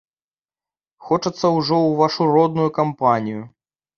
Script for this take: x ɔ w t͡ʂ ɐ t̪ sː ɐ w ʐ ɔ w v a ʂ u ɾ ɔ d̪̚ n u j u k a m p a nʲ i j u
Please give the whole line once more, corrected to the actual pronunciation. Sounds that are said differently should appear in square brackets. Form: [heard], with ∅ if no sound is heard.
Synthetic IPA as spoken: x ɔ [∅] t͡ʂ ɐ t̪ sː ɐ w ʐ ɔ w v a ʂ u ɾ ɔ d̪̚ n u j u k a m p a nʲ i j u